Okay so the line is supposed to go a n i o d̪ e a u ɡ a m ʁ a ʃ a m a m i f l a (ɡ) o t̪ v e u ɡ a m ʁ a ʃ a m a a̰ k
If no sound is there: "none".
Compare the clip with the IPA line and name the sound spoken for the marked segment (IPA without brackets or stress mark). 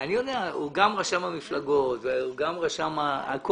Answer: ɡ